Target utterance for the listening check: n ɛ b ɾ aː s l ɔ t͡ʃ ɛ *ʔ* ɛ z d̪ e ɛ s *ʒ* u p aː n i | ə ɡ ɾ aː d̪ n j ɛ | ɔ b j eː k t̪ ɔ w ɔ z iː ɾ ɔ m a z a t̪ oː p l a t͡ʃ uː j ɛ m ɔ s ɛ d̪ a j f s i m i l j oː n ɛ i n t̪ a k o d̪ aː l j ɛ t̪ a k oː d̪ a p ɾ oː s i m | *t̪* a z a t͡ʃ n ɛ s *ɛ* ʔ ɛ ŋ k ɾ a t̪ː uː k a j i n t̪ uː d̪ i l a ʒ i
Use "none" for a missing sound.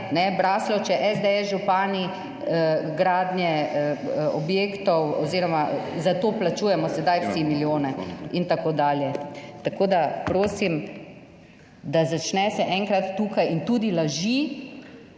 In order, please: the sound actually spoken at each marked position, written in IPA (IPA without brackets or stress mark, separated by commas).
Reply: ʔ, ʒ, d̪, ɛ